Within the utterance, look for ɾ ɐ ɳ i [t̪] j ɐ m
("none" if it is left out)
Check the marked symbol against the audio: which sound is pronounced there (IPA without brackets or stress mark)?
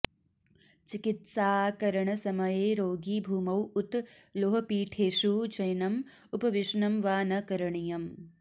none